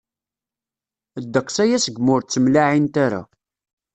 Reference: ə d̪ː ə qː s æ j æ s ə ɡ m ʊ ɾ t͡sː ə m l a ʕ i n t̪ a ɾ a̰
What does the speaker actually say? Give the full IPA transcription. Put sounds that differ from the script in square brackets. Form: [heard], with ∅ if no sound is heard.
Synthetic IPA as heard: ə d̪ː ə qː s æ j æ s ə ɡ m ʊ ɾ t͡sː ə m l a ʕ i n t̪ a ɾ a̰